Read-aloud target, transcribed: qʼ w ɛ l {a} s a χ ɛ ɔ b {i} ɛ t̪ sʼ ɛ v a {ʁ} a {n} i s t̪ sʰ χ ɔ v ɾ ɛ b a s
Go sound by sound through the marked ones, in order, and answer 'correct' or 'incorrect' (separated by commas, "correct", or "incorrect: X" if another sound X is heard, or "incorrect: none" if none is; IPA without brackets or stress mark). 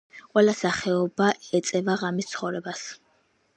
correct, incorrect: a, correct, incorrect: m